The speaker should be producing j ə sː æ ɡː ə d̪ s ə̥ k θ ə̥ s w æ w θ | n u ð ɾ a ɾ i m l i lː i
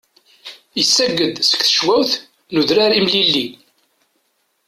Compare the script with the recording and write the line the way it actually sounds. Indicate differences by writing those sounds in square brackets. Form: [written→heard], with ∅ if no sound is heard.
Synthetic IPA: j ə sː æ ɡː ə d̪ s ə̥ k θ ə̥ [s→ʃ] w æ w θ | n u ð ɾ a ɾ i m l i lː i